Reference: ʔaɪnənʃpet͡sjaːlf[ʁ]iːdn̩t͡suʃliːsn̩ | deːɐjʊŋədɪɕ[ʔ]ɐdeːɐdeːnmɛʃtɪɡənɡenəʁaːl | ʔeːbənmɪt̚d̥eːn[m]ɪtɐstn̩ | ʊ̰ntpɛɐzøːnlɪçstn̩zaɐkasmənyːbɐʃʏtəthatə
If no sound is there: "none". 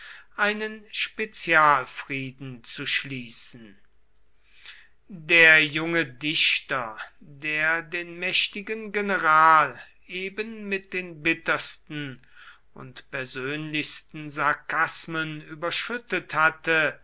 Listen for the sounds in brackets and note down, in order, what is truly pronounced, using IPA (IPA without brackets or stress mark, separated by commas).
ʁ, t, b